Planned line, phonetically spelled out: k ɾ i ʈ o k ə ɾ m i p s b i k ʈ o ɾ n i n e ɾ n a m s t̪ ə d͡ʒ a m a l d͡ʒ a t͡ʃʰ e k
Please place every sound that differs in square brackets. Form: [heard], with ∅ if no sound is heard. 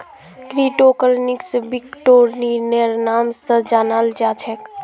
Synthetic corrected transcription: k ɾ i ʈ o k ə ɾ [n] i [k] s b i k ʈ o ɾ n i n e ɾ n a m s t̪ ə d͡ʒ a [n] a l d͡ʒ a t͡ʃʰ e k